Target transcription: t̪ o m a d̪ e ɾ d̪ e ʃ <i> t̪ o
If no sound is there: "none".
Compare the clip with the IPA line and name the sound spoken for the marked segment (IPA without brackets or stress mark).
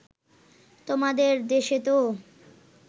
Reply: e